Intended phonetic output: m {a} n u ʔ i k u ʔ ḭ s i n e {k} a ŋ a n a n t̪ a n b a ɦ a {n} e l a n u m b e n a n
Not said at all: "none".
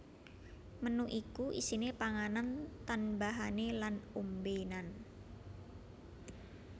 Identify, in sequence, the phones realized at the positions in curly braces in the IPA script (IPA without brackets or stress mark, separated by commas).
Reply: ə, p, n